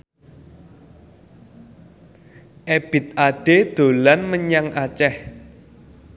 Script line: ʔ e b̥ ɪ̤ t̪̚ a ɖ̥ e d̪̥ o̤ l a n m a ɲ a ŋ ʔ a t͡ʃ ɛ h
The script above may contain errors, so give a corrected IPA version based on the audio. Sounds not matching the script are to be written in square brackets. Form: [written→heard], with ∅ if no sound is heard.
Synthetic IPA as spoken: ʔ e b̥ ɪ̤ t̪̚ a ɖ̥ e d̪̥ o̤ l a n m [a→ə] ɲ a ŋ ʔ a t͡ʃ ɛ h